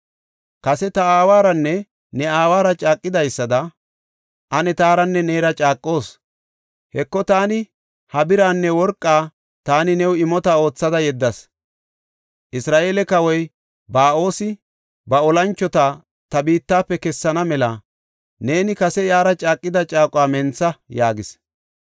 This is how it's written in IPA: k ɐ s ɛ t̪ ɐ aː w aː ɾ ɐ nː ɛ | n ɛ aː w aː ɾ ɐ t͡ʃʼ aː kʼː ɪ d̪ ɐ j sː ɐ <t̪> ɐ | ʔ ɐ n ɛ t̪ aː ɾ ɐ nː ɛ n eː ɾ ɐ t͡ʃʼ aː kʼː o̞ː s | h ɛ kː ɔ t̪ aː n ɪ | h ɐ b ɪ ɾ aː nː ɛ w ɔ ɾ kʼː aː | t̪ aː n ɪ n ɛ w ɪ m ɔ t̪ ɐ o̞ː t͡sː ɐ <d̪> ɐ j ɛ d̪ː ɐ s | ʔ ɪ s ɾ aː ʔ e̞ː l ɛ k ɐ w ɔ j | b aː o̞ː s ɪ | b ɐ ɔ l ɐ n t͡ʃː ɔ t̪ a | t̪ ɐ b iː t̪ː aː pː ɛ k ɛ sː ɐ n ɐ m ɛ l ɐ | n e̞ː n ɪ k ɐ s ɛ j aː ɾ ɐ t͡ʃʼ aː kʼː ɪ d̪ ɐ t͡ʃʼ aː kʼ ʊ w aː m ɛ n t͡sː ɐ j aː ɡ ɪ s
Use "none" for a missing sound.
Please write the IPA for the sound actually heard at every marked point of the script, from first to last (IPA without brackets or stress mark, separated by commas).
d̪, d̪